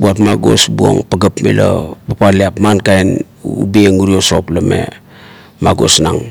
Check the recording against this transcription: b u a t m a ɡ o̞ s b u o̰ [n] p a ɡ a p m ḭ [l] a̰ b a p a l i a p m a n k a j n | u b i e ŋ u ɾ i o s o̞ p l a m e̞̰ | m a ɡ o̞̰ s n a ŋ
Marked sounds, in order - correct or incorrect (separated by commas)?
incorrect, correct